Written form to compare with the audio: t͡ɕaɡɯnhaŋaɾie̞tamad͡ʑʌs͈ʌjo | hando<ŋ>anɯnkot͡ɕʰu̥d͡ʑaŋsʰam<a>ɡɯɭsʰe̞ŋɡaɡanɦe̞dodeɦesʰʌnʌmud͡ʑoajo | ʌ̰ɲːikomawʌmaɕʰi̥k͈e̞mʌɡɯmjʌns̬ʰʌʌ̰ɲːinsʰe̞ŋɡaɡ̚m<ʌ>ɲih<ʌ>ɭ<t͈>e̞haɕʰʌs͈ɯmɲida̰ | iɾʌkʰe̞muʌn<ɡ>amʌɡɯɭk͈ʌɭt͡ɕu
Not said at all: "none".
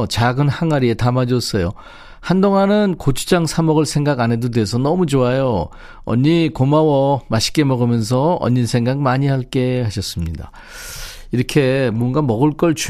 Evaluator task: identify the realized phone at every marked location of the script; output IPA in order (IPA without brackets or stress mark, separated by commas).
ŋ, ʌ, a, a, k͈, ɡ